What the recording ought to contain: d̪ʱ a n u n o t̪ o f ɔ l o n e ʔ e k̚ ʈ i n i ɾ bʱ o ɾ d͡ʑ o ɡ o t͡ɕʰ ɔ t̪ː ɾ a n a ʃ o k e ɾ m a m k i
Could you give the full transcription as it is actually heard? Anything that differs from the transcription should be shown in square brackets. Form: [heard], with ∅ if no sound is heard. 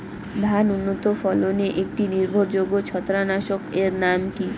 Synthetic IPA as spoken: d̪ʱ a n u [nː] o t̪ o f ɔ l o n e ʔ e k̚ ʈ i n i ɾ bʱ o ɾ d͡ʑ o ɡ o t͡ɕʰ ɔ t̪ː ɾ a n a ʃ o k e ɾ [n] a m k i